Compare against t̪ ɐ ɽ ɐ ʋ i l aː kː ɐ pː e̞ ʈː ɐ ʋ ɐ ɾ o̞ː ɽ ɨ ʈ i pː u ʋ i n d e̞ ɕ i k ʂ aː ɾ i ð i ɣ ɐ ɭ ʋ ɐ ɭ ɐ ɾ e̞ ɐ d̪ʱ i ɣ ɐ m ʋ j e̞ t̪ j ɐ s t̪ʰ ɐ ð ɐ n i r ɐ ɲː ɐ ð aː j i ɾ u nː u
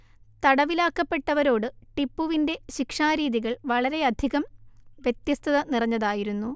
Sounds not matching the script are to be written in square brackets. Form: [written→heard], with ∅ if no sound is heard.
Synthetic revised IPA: t̪ ɐ ɽ ɐ ʋ i l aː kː ɐ pː e̞ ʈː ɐ ʋ ɐ ɾ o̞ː ɽ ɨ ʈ i pː u ʋ i n d e̞ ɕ i k ʂ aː ɾ [i→iː] ð i ɣ ɐ ɭ ʋ ɐ ɭ ɐ ɾ e̞ ɐ d̪ʱ i ɣ ɐ m ʋ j e̞ t̪ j ɐ s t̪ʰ ɐ ð ɐ n i r ɐ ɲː ɐ ð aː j i ɾ u nː u